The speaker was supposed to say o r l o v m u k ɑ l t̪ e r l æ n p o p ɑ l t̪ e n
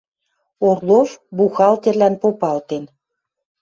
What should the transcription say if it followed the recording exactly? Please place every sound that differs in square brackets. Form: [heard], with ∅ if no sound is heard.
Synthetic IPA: o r l o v [b] u [x] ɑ l t̪ e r l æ n p o p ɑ l t̪ e n